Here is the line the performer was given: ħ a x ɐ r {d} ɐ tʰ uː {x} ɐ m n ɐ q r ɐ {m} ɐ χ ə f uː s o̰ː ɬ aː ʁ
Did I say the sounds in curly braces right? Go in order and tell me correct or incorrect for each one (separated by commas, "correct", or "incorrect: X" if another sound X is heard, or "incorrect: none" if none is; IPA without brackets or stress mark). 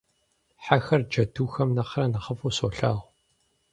incorrect: d͡ʒ, correct, incorrect: n